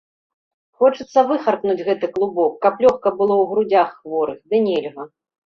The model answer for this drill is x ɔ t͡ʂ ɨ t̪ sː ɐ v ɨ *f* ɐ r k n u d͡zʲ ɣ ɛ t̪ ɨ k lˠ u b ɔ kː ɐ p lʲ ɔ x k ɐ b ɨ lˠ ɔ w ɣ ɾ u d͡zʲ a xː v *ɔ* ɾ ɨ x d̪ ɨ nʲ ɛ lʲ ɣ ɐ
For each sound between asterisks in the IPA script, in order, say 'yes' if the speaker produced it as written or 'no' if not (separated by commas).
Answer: no, yes